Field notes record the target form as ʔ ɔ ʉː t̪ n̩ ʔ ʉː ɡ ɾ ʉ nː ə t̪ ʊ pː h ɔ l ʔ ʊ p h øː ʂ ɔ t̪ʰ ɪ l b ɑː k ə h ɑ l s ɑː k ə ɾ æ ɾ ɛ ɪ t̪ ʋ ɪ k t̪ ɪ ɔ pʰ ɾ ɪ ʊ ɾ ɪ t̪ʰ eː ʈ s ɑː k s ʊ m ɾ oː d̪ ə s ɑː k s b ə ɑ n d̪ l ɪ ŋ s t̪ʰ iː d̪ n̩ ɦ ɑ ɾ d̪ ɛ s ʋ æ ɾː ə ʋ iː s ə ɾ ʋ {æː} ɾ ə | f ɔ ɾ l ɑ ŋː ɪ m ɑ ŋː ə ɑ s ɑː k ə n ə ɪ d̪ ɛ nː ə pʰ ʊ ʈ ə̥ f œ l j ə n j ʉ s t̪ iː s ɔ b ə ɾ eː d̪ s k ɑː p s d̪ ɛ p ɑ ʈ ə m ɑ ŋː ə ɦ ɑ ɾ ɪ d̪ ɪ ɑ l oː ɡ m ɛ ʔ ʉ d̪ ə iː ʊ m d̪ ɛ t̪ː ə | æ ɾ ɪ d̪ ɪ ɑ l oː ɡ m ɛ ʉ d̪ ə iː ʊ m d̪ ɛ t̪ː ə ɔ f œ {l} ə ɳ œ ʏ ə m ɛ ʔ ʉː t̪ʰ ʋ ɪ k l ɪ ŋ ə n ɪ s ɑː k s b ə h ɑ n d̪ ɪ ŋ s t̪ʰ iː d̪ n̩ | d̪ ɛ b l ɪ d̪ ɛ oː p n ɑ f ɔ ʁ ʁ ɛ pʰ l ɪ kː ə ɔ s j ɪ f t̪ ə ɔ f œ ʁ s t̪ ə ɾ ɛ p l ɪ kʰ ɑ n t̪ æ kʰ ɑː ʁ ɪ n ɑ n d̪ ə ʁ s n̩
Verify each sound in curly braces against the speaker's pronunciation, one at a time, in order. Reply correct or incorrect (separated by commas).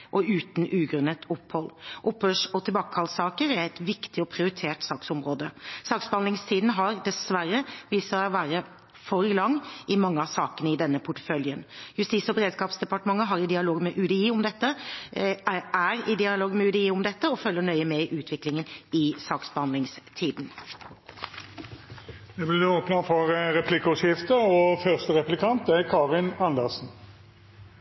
correct, incorrect